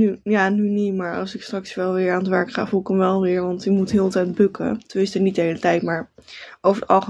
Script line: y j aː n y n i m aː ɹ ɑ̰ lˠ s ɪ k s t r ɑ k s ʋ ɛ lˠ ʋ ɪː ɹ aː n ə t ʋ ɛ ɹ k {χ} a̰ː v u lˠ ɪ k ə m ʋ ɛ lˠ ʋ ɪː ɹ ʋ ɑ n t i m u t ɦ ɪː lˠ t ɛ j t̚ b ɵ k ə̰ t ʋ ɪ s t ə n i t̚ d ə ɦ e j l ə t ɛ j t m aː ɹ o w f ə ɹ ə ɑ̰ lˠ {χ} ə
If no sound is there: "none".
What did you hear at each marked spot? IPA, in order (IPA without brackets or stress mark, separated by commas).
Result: χ, χ